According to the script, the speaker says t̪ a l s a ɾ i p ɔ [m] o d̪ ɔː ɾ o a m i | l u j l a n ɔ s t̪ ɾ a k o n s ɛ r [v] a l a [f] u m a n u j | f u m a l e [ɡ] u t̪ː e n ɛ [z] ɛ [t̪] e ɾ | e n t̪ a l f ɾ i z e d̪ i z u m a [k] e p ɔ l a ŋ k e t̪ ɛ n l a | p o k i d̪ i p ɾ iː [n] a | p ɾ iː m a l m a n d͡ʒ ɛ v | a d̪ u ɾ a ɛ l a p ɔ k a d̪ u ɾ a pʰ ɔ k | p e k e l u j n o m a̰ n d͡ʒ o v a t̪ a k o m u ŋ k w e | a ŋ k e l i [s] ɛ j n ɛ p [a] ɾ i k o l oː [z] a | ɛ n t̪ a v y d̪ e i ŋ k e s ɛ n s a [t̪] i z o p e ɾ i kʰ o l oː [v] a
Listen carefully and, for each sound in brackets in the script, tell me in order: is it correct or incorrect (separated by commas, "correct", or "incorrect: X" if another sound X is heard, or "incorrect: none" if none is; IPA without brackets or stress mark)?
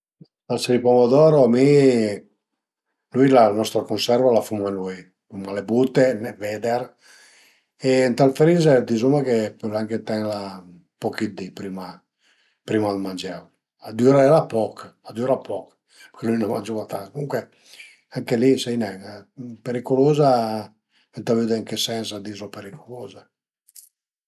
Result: correct, correct, correct, incorrect: b, incorrect: v, incorrect: d̪, correct, incorrect: m, correct, incorrect: e, correct, incorrect: d̪, incorrect: z